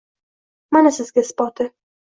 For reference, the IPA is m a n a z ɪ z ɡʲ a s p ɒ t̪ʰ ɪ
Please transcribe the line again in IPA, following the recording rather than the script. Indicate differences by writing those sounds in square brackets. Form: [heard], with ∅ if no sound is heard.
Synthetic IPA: m a n a [s] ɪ z ɡʲ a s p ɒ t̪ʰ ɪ